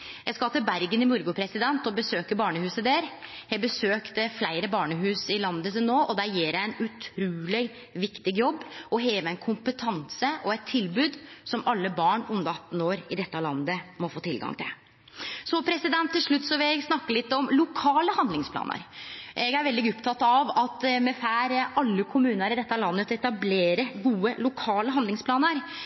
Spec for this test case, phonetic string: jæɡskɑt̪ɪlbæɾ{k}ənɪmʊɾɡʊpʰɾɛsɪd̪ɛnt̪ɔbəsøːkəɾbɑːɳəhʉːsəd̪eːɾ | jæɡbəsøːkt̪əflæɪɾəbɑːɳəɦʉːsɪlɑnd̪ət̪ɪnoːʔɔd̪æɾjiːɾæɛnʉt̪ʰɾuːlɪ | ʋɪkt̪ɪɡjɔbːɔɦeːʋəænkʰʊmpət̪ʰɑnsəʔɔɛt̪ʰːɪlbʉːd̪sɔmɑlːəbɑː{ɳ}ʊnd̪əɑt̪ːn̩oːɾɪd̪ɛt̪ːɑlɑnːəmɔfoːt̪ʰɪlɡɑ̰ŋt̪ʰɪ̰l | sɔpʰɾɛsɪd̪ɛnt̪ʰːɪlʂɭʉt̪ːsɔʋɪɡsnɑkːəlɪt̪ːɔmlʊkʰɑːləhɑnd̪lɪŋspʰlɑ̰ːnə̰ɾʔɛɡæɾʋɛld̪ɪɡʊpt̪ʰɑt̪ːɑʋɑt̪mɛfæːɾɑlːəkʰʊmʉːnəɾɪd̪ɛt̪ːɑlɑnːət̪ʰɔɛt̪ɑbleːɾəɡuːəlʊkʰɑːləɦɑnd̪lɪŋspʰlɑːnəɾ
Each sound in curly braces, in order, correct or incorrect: incorrect, correct

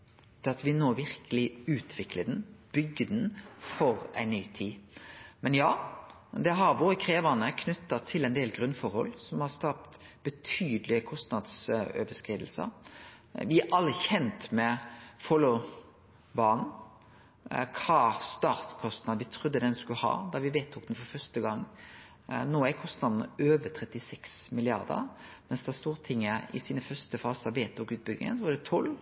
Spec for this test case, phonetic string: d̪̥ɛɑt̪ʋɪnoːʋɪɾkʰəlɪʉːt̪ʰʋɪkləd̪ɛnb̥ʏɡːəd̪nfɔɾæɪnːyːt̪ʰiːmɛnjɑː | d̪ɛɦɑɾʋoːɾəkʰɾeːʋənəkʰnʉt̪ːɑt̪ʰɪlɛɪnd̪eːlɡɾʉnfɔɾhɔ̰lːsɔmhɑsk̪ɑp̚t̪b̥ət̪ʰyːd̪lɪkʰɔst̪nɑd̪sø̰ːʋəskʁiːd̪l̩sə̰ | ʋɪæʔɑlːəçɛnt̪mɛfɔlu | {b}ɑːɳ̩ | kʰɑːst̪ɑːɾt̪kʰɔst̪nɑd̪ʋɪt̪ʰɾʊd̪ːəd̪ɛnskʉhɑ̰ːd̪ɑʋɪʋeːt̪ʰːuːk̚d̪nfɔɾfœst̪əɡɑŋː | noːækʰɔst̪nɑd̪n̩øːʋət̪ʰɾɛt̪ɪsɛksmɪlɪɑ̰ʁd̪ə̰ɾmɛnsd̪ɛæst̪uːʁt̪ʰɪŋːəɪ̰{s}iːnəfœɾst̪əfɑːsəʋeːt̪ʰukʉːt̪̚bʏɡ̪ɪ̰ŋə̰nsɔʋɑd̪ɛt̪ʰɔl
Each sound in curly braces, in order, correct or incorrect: correct, correct

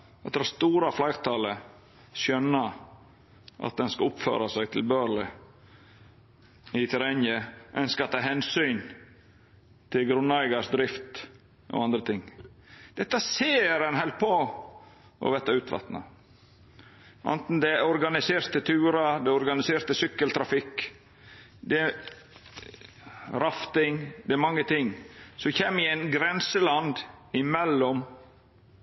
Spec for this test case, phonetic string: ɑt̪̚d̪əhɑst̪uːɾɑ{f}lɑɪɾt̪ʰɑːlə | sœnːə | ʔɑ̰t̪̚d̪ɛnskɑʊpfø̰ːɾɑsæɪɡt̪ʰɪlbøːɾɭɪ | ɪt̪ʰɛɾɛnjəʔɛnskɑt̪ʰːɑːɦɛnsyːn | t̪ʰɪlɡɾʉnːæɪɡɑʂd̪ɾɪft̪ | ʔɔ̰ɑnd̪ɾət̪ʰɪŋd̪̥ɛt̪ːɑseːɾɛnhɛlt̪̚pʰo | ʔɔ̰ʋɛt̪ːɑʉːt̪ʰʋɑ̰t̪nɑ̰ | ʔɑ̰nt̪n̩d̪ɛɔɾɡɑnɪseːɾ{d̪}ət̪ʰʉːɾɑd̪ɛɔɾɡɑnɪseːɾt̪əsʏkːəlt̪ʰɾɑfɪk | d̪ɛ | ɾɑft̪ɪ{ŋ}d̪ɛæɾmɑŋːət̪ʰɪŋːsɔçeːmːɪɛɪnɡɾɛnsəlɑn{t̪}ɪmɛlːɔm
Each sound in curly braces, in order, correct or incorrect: correct, incorrect, correct, incorrect

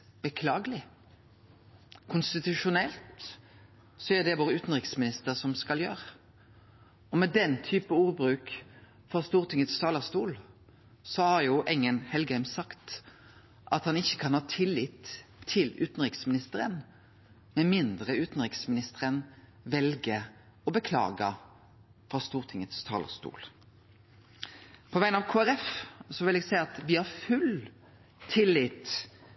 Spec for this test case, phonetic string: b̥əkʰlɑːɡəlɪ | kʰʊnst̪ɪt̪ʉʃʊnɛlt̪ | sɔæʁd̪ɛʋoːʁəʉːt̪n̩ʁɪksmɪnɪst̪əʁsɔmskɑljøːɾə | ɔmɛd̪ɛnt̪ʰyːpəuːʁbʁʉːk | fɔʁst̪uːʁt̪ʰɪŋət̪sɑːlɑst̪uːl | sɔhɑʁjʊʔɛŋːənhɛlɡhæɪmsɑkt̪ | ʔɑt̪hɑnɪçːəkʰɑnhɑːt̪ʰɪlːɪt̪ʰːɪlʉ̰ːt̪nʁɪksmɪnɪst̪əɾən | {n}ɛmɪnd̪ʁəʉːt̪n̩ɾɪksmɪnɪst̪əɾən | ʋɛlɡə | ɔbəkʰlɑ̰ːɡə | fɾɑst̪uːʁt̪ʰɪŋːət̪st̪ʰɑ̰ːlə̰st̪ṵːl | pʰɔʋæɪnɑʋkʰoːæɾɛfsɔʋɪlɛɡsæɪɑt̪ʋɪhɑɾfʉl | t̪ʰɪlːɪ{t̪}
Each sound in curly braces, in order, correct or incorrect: incorrect, correct

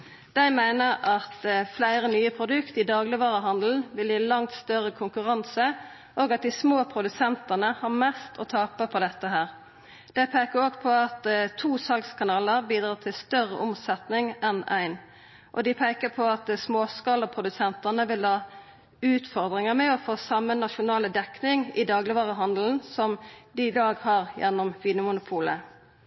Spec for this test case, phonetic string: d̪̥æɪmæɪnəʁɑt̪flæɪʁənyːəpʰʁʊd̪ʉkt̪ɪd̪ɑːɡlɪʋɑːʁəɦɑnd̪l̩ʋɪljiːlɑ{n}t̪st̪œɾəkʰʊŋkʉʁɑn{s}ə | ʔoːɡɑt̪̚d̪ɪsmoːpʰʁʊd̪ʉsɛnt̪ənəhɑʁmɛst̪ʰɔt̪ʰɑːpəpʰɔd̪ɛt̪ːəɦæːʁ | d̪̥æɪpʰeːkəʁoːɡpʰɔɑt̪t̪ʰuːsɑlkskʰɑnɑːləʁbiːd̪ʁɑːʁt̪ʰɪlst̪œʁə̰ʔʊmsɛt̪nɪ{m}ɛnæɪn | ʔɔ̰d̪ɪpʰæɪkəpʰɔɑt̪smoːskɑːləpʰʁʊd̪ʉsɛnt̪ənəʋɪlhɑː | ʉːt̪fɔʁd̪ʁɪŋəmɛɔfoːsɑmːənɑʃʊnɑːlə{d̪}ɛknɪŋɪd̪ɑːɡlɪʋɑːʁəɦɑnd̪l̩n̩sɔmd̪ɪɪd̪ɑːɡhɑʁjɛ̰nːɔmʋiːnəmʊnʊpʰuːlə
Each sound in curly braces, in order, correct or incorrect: incorrect, correct, incorrect, correct

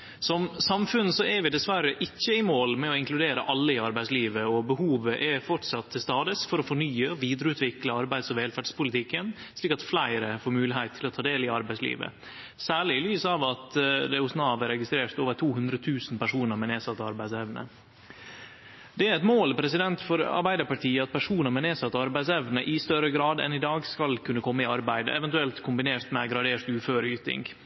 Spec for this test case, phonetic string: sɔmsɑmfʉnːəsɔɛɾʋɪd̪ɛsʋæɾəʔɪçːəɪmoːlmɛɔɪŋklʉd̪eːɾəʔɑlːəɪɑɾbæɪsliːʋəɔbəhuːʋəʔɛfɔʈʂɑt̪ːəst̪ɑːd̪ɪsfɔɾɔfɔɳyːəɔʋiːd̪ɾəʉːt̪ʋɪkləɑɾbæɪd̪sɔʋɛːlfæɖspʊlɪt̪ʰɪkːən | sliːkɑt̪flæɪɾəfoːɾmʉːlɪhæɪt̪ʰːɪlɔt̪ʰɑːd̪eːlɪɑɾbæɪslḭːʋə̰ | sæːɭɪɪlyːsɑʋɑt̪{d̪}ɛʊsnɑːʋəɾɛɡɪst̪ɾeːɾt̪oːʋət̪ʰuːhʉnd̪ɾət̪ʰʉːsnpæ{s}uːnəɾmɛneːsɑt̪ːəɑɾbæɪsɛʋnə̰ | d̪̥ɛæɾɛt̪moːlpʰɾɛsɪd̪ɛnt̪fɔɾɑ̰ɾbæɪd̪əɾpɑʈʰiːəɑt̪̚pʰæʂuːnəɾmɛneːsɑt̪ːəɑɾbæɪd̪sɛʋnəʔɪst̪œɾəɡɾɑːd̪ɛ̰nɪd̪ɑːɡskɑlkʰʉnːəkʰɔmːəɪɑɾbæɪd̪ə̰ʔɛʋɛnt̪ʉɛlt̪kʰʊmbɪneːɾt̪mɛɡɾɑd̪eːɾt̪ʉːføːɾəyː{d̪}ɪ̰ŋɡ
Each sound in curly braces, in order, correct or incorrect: correct, incorrect, incorrect

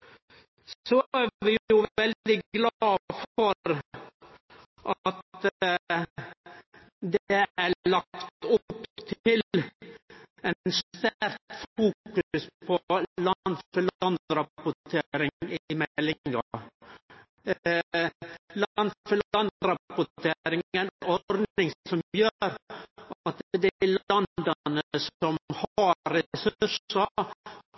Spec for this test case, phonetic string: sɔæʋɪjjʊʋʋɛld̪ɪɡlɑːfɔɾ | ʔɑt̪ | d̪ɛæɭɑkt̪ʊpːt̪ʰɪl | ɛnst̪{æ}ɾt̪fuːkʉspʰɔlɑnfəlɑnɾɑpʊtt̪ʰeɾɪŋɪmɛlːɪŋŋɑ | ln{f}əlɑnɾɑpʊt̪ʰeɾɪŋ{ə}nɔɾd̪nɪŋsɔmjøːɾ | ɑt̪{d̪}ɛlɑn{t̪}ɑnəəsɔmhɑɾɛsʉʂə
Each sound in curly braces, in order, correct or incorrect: correct, correct, correct, correct, incorrect

